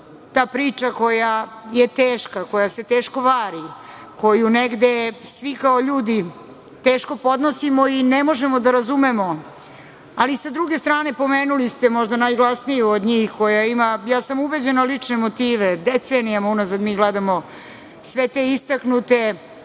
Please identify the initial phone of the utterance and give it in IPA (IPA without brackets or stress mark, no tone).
t̪